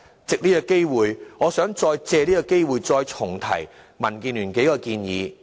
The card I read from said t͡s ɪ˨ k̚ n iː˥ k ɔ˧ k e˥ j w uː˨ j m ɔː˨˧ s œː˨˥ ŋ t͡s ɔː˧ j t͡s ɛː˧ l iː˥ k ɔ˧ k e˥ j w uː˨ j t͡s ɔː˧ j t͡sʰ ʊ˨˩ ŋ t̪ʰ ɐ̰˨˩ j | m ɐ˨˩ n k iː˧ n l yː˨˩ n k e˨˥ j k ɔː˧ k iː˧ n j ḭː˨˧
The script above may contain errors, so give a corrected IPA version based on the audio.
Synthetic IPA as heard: t͡s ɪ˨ k̚ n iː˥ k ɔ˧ k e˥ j w uː˨ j ŋ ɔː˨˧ s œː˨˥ ŋ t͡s ɔː˧ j t͡s ɛː˧ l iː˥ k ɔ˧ k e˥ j w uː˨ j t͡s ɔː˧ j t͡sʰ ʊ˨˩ ŋ t̪ʰ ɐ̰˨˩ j | m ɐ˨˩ n k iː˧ n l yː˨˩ n k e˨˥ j k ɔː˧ k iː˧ n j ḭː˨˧

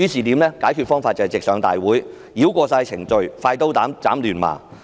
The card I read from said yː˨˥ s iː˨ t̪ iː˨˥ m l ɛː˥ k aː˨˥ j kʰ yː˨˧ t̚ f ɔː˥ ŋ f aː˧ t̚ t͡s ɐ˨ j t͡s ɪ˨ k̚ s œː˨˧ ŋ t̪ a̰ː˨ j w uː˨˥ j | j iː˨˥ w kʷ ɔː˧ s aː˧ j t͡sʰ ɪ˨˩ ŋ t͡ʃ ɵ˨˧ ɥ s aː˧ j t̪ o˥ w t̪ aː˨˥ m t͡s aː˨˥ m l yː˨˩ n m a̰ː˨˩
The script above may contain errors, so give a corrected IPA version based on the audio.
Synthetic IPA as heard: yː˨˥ s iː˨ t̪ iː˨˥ m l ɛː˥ k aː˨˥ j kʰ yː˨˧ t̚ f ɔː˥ ŋ f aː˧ t̚ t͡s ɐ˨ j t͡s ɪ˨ k̚ s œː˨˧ ŋ t̪ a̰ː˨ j w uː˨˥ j | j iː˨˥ w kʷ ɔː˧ s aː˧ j t͡sʰ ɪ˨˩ ŋ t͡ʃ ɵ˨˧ ɥ f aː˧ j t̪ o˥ w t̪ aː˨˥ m t͡s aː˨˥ m l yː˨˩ n m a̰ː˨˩

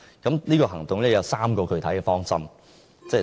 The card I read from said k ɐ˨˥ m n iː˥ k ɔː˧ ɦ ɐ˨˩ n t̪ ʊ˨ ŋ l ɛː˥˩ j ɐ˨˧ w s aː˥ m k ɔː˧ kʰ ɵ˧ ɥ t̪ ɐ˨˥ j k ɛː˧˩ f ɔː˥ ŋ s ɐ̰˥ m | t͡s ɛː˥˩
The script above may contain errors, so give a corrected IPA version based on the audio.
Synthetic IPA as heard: k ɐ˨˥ m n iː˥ k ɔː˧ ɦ ɐ˨˩ ŋ t̪ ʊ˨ ŋ l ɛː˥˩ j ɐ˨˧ w s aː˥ m k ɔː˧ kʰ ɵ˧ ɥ t̪ʰ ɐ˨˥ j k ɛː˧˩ f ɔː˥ ŋ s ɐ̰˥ m | t͡s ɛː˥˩

